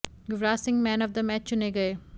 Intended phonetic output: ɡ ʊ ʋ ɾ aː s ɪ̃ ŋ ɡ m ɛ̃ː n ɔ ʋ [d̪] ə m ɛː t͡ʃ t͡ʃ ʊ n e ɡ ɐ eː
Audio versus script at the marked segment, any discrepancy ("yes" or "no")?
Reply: no